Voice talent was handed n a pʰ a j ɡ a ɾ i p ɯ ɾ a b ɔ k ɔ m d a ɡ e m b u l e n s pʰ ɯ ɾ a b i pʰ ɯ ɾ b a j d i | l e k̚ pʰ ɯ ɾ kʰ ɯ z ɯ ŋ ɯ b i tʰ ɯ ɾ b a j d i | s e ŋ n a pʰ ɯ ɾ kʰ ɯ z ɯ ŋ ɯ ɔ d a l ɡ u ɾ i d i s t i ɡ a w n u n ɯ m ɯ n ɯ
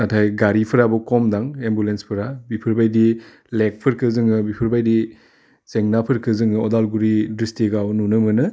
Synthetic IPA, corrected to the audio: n a tʰ a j ɡ a ɾ i pʰ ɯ ɾ a b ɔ k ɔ m d a ŋ e m b u l e n s pʰ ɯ ɾ a b i pʰ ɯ ɾ b a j d i | l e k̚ pʰ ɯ ɾ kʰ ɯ z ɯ ŋ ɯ b i pʰ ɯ ɾ b a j d i | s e ŋ n a pʰ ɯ ɾ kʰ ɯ z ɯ ŋ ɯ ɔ d a l ɡ u ɾ i d i s t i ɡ a w n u n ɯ m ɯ n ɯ